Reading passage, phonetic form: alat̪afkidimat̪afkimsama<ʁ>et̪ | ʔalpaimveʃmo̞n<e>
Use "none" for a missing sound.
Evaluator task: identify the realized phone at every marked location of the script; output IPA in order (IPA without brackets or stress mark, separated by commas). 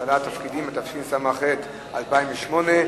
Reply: χ, e